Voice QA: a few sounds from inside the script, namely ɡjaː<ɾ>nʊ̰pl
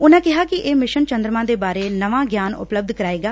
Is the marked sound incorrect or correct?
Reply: incorrect